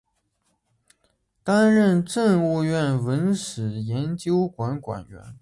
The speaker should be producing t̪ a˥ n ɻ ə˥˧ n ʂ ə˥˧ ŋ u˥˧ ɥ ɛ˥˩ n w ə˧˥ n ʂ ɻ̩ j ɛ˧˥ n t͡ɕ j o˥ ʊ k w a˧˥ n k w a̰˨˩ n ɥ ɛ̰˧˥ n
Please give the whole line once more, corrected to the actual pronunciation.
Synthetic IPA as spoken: t̪ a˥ n ɻ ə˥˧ n ʈ͡ʂ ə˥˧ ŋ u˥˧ ɥ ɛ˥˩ n w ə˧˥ n ʂ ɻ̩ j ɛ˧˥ n t͡ɕ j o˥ ʊ k w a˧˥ n k w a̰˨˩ n ɥ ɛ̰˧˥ n